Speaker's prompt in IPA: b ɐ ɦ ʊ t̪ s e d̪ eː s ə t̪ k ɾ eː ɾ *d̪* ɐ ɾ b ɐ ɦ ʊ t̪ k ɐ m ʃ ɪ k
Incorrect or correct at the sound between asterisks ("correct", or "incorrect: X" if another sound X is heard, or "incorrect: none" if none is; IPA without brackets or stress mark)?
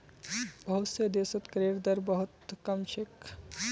correct